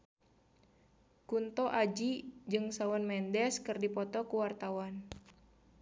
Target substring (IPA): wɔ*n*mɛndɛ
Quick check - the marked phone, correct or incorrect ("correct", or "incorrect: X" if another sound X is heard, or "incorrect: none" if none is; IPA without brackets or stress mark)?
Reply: correct